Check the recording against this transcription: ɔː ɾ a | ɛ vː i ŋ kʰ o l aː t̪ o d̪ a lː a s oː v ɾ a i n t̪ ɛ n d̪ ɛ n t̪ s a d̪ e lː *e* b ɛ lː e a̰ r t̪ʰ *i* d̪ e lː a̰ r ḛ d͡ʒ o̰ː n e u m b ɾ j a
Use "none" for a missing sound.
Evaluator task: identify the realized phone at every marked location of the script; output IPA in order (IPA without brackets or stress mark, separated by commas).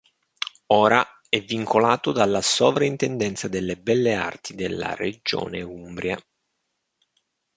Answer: e, i